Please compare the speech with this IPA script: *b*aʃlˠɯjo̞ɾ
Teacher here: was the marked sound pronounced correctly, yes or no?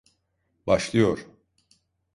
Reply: yes